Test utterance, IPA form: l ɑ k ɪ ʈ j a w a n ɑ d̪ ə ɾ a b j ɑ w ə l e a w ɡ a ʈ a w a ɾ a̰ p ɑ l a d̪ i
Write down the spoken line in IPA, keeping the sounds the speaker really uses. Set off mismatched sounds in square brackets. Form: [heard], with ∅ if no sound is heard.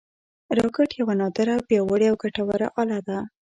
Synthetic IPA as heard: [ɾ] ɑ k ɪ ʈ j a w a n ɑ d̪ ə ɾ a b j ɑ w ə [ɽ] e a w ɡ a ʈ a w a ɾ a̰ [ʔ] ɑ l a d̪ [a]